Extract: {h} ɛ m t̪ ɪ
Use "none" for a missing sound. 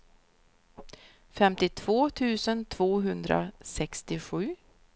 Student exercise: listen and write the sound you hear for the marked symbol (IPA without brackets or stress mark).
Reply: f